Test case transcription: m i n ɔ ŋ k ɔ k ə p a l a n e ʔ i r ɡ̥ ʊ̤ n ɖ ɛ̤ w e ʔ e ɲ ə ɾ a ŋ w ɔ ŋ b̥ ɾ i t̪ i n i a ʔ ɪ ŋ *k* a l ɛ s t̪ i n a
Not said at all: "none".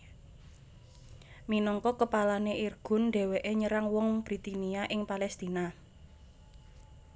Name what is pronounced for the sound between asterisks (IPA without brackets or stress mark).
p